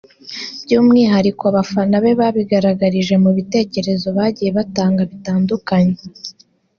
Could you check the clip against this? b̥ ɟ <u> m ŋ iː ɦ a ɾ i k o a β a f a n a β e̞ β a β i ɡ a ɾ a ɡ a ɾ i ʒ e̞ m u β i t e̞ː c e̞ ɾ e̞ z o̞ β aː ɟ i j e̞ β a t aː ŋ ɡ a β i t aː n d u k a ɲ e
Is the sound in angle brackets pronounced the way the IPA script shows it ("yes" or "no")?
no